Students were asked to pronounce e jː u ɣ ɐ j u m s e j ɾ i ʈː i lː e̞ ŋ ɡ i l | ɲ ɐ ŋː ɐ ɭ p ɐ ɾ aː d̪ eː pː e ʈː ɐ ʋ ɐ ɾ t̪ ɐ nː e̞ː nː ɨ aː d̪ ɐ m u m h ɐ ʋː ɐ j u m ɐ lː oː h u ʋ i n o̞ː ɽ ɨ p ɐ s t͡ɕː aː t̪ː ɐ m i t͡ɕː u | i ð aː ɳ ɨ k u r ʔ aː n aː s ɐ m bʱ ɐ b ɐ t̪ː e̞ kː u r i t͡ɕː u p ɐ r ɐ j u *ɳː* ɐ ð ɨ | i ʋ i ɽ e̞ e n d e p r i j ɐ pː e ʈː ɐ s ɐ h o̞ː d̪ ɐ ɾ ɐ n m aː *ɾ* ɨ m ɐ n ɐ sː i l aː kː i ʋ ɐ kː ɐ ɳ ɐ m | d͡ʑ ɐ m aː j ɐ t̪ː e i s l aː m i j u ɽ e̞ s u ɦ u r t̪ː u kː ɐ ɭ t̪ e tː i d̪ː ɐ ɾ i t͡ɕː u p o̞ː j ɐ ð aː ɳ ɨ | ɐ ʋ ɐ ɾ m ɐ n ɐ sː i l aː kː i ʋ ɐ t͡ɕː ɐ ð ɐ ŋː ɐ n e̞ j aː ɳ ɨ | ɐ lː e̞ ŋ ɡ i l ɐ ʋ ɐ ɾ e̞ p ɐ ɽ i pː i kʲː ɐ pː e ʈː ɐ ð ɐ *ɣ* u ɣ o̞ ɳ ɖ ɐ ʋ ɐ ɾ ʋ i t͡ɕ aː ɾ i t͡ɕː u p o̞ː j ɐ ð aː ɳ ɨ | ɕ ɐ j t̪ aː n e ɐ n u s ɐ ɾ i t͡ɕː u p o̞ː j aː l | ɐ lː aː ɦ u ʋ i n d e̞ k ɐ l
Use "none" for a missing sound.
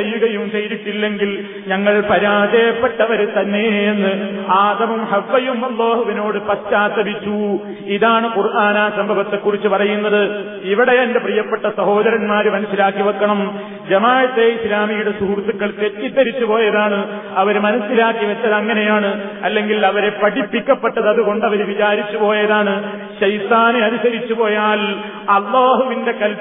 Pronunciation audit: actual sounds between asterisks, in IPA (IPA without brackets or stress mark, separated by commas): nː, ɾ, ð